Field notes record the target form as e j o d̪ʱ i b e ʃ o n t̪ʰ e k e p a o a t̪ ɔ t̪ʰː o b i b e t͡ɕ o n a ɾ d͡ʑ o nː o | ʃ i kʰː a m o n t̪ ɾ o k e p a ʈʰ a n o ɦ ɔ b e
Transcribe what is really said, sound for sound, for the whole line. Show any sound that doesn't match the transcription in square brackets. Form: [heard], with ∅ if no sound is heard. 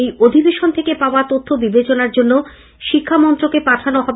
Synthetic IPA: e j o d̪ʱ i b e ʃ o n t̪ʰ e k e p a o a t̪ [o] t̪ʰː o b i b e t͡ɕ o n a ɾ d͡ʑ o nː o | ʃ i kʰː a m [ɔ] n t̪ ɾ o k e p a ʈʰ a n o ɦ ɔ b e